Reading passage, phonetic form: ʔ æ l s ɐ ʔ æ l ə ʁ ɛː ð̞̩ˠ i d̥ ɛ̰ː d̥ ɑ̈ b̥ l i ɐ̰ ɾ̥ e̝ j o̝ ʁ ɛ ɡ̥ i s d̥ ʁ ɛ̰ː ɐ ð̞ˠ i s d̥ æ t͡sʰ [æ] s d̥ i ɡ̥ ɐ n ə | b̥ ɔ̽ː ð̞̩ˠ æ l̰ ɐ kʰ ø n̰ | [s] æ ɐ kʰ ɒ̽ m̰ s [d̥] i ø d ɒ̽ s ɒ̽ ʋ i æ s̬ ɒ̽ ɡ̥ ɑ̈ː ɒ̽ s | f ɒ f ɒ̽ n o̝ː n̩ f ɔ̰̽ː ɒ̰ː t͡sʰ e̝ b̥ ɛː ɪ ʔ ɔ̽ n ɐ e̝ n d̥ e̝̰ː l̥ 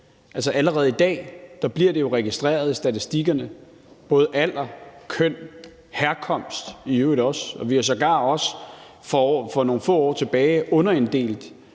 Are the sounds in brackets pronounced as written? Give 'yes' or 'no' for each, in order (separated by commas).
no, no, yes